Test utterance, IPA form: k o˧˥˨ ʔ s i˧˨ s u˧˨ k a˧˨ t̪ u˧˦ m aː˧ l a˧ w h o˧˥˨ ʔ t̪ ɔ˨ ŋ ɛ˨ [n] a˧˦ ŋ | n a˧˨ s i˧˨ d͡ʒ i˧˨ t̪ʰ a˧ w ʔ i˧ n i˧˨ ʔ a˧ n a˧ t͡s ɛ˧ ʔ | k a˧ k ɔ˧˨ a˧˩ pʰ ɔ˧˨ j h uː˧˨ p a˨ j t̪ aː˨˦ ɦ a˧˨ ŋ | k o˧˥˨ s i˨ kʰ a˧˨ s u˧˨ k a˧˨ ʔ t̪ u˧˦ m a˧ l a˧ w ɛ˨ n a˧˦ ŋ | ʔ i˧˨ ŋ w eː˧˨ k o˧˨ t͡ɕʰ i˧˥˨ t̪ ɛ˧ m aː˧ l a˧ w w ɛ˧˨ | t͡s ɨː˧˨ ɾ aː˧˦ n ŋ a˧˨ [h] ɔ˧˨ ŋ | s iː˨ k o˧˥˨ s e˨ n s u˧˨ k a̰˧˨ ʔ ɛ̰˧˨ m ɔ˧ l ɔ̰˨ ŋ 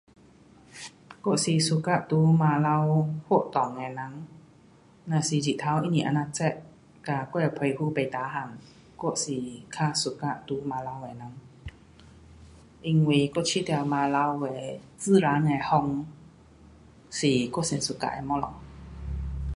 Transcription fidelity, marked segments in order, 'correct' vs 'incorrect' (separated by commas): correct, correct